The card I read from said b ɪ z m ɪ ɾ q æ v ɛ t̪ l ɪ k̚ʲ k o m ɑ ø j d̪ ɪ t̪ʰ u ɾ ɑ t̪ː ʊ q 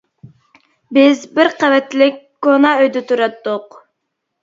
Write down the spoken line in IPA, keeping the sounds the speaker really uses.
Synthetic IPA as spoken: b ɪ z b ɪ ɾ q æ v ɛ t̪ l ɪ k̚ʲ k o n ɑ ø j d̪ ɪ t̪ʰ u ɾ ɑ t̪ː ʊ q

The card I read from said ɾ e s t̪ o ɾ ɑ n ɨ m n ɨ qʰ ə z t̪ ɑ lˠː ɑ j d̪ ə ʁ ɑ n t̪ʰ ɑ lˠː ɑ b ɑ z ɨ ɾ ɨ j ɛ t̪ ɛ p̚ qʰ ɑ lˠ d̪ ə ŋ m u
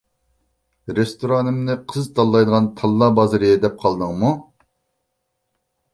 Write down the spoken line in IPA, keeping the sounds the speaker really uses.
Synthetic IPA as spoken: ɾ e s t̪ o ɾ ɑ n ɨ m n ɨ qʰ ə z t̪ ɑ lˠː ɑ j d̪ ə ʁ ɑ n t̪ʰ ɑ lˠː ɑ b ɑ z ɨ ɾ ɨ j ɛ d̪ ɛ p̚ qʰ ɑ lˠ d̪ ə ŋ m u

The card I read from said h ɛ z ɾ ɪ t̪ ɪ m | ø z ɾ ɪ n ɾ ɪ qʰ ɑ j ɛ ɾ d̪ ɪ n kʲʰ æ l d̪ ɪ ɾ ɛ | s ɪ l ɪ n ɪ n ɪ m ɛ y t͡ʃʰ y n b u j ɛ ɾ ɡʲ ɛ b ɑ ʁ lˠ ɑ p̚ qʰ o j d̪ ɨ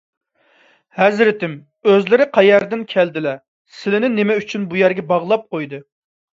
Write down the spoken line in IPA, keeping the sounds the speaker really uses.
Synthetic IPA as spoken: h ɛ z ɾ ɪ t̪ ɪ m | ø z l ɪ ɾ ɪ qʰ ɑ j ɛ ɾ d̪ ɪ n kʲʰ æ l d̪ ɪ l ɛ | s ɪ l ɪ n ɪ n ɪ m ɛ y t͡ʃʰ y n b u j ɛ ɾ ɡʲ ɛ b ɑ ʁ lˠ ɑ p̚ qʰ o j d̪ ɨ

